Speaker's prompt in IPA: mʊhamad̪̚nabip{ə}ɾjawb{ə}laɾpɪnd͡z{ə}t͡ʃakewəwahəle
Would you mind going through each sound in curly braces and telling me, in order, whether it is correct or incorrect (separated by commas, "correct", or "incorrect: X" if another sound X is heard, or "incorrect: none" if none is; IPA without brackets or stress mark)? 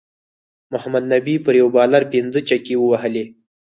correct, incorrect: ɑ, correct